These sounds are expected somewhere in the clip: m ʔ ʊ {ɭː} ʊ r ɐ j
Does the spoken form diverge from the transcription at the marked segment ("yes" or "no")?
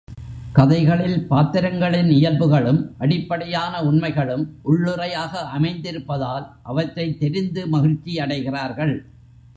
no